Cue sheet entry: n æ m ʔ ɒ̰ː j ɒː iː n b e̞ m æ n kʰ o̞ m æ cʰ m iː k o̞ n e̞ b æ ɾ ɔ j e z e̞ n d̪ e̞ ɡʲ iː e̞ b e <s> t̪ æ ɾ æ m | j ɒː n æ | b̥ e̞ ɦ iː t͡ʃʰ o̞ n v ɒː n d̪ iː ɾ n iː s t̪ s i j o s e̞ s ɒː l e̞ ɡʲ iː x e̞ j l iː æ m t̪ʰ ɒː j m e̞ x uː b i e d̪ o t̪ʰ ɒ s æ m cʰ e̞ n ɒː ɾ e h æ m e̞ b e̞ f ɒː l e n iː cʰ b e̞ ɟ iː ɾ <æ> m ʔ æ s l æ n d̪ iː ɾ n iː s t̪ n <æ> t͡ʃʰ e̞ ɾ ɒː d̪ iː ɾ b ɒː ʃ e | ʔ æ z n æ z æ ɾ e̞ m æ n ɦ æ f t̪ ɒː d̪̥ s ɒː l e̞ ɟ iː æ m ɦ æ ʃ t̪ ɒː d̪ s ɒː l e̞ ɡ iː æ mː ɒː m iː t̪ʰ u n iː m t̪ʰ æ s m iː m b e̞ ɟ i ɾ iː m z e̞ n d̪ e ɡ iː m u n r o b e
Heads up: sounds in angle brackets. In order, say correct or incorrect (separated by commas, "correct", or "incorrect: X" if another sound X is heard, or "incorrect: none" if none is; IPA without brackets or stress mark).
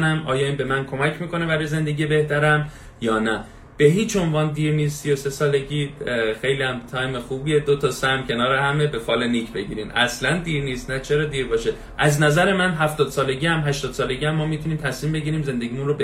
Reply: incorrect: h, incorrect: i, correct